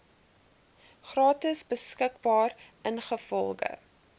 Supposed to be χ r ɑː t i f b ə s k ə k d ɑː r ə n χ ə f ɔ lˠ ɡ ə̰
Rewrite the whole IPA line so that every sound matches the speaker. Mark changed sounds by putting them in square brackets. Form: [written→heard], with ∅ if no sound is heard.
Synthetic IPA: χ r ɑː t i [f→s] b ə s k ə k [d→b] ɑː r ə n χ ə f ɔ lˠ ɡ ə̰